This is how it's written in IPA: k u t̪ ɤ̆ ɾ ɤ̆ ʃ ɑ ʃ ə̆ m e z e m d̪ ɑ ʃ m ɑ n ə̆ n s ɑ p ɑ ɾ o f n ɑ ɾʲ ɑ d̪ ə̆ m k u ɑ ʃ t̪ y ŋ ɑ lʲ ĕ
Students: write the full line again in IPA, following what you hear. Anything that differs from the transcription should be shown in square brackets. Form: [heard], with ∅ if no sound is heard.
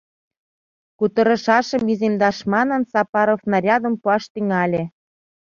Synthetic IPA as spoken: k u t̪ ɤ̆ ɾ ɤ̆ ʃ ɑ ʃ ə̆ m [i] z e m d̪ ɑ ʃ m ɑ n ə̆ n s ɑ p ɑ ɾ o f n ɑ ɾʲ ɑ d̪ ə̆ m [p] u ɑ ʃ t̪ y ŋ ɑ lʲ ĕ